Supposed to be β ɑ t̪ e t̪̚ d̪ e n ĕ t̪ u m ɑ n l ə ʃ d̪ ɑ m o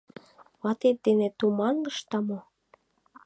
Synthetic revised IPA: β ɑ t̪ e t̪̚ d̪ e n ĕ t̪ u m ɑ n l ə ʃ t̪ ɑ m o